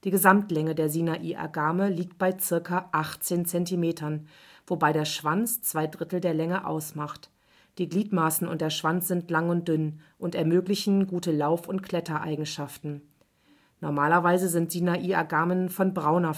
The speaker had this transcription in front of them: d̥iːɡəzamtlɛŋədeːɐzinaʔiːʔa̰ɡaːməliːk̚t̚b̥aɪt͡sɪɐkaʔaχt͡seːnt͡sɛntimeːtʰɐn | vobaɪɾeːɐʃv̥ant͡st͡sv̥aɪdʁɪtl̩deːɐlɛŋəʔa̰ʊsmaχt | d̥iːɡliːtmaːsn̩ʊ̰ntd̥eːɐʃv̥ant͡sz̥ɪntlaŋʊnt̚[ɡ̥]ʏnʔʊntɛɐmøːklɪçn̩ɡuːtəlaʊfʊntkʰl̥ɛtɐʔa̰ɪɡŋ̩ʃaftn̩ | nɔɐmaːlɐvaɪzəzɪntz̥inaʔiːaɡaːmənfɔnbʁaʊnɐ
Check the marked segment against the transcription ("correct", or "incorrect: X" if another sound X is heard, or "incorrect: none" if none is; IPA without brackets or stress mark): incorrect: d̥